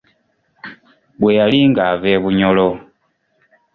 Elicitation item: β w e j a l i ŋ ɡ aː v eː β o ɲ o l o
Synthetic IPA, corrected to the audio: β w e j a l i ŋ ɡ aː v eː β u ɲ o l o